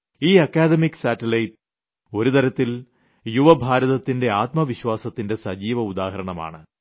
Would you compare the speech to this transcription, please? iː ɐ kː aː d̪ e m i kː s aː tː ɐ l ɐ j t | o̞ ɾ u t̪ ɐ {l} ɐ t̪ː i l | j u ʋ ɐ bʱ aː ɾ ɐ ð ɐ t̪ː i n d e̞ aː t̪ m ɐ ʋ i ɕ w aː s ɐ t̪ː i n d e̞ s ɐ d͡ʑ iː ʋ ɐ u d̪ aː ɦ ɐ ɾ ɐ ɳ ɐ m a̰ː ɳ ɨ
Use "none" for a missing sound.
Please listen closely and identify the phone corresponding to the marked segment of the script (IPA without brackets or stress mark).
ɾ